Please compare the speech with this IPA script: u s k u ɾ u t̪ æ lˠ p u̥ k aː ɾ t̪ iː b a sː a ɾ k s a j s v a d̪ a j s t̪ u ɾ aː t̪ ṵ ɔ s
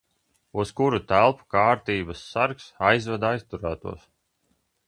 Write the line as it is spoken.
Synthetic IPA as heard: u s k u ɾ u t̪ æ lˠ p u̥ k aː ɾ t̪ iː b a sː a ɾ k s a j z v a d̪ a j s t̪ u ɾ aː t̪ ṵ ɔ s